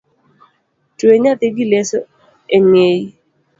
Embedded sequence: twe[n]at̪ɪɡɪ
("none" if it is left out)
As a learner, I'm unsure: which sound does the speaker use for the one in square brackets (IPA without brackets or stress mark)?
ɲ